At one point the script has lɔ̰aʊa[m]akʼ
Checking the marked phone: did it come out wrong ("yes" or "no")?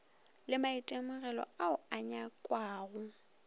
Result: yes